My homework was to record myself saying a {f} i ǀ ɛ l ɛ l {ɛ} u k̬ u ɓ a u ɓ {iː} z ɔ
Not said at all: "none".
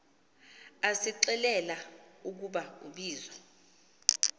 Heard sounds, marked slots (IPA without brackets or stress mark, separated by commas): s, a, iː